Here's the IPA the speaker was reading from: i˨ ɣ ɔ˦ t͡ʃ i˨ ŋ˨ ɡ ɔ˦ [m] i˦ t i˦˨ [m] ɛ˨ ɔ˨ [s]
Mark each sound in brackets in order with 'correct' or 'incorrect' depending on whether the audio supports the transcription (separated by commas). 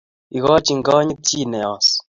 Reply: incorrect, incorrect, correct